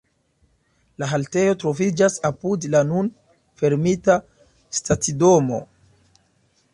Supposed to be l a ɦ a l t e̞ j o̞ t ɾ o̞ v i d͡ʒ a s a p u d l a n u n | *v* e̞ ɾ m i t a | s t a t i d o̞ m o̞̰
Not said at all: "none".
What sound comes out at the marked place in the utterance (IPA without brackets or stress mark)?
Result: f